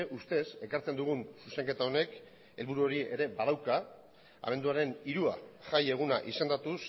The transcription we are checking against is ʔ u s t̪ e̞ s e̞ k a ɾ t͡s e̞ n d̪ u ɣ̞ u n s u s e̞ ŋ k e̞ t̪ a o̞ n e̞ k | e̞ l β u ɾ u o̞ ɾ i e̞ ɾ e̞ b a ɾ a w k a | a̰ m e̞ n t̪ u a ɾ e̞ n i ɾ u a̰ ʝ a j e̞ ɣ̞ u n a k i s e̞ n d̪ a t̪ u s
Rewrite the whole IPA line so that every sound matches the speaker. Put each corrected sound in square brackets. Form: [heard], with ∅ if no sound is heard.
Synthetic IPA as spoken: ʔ u s t̪ e̞ s e̞ k a ɾ t͡s e̞ n d̪ u ɣ̞ u n s u s e̞ ŋ k e̞ t̪ a o̞ n e̞ k | e̞ l β u ɾ u o̞ ɾ i e̞ ɾ e̞ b a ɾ a w k a | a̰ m e̞ n [d̪] u a ɾ e̞ n i ɾ u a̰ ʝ a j e̞ ɣ̞ u n a [ʔ] i s e̞ n d̪ a t̪ u s